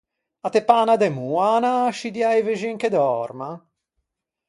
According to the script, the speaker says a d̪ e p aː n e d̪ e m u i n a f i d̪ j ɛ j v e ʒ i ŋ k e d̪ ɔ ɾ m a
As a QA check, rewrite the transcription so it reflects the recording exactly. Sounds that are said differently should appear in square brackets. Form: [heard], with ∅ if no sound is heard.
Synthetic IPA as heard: a [t̪] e p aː n [a] d̪ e m u [a] n a [ʃ] i d̪ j [a] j v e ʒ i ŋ k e d̪ ɔ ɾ m a